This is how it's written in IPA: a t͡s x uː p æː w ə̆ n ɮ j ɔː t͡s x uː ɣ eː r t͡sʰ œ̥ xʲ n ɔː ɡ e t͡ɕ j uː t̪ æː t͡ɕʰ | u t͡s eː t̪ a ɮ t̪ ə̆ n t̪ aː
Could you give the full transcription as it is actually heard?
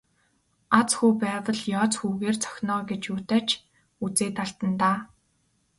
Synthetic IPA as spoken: a t͡s x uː p æː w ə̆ ɮ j ɔː t͡s x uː ɣ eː r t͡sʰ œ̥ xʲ n ɔː ɡ e t͡ɕ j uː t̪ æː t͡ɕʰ | u t͡s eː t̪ a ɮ t̪ ə̆ n t̪ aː